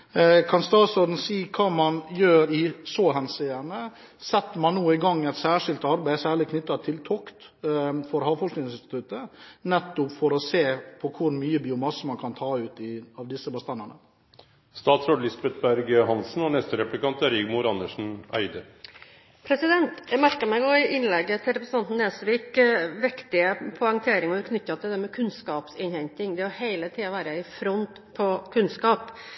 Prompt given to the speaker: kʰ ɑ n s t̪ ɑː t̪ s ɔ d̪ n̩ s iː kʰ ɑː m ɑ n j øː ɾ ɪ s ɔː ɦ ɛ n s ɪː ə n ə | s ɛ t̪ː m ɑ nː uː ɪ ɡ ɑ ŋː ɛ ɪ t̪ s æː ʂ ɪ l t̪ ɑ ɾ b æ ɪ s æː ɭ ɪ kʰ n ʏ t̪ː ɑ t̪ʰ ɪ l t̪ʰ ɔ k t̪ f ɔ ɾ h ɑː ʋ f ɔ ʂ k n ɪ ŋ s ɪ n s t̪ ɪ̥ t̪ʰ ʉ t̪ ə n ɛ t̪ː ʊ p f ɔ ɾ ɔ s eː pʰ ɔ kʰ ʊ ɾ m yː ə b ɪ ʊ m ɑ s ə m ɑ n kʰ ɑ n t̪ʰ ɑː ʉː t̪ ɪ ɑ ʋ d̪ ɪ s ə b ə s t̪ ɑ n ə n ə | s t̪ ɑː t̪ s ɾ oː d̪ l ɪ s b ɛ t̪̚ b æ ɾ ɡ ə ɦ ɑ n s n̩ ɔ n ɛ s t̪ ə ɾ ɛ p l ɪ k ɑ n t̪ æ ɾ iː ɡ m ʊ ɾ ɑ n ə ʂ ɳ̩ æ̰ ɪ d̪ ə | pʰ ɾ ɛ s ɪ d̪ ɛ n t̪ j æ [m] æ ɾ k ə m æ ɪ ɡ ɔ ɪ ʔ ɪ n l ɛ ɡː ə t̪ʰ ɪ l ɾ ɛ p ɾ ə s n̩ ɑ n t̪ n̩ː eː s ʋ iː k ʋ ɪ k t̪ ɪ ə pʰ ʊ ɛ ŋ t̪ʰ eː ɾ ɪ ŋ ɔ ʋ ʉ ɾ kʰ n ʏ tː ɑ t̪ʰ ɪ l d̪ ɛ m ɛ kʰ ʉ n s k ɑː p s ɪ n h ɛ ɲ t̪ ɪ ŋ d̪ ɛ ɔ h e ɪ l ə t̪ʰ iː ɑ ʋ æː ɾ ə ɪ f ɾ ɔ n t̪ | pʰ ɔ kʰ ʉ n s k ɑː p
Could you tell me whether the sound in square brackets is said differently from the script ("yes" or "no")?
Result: no